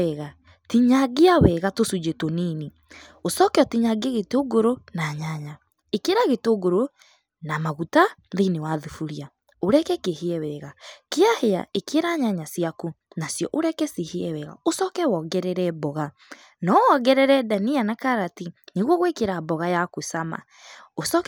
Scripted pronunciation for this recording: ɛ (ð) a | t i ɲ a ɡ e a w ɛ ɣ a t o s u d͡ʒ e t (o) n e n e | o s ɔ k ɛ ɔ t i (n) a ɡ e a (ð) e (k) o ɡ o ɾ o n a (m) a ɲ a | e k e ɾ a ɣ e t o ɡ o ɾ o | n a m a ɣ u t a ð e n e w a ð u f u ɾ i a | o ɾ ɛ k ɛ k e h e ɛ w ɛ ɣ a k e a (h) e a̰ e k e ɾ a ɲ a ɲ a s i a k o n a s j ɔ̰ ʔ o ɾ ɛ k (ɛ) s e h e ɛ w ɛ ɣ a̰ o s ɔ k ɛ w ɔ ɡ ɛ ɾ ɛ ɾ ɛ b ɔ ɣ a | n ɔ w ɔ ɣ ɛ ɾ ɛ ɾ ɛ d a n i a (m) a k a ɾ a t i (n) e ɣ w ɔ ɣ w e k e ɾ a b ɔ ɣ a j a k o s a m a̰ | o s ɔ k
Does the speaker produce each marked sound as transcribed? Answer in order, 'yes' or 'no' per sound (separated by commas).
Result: no, yes, no, no, no, no, yes, yes, no, yes